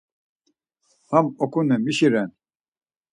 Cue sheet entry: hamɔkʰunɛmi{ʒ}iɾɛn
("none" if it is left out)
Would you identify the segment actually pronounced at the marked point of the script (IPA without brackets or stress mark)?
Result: ʃ